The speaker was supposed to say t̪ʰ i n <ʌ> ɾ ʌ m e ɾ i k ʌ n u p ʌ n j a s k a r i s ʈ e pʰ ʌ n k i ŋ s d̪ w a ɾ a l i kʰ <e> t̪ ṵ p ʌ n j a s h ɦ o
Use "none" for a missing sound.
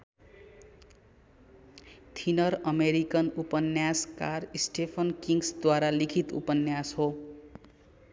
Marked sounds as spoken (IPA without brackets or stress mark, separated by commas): ʌ, i